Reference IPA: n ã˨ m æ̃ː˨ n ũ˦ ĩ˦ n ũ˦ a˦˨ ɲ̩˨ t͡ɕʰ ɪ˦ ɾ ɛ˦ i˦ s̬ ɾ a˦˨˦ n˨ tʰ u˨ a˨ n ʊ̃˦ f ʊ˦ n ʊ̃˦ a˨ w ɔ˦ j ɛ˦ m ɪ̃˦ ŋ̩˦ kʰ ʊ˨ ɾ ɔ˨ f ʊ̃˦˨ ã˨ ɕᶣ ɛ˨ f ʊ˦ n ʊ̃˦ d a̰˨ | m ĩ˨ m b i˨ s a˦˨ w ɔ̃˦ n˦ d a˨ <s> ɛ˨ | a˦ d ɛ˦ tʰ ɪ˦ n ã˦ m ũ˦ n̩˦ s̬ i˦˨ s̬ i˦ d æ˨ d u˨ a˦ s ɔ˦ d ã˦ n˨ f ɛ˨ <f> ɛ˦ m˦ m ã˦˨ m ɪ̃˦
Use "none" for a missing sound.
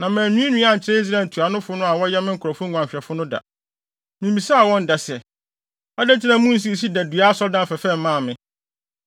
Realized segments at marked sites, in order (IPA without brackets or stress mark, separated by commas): s, f